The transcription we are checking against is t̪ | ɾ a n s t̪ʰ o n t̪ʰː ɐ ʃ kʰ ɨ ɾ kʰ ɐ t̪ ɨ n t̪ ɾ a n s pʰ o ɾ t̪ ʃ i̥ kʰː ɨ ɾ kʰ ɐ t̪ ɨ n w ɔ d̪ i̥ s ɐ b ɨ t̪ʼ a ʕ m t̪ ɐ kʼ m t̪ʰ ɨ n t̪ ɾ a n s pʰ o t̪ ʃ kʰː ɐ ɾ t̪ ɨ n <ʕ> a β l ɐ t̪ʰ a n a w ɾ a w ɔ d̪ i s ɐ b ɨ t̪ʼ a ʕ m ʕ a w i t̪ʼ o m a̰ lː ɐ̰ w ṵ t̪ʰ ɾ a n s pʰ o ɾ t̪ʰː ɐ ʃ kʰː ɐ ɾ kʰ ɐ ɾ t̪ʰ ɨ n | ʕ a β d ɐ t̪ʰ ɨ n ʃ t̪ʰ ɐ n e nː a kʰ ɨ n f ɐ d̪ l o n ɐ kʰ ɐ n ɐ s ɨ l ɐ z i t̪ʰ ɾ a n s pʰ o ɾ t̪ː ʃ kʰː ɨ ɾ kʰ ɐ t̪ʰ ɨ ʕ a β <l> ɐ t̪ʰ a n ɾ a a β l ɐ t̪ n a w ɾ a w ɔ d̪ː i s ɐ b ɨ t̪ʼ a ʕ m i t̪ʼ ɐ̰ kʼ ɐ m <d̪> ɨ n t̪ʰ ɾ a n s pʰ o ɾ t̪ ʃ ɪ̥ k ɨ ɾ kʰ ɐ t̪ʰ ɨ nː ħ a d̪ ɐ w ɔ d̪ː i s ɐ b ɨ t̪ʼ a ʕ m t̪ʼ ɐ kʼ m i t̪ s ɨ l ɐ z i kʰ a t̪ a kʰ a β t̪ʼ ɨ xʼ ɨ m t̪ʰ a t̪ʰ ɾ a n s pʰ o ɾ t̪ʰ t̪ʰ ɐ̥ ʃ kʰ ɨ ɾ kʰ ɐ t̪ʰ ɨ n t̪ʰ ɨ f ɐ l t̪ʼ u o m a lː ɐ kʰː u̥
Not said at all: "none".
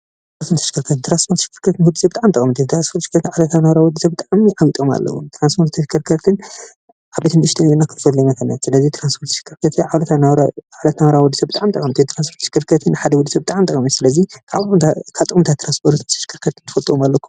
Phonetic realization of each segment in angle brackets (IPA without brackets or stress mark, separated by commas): ʕ, l, t̪